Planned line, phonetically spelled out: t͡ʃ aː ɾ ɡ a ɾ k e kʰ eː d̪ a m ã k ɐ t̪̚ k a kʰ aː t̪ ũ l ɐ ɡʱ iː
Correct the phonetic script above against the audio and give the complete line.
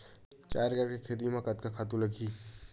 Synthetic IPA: t͡ʃ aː ɾ ɡ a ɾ k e kʰ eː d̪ i m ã k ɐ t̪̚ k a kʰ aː t̪ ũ l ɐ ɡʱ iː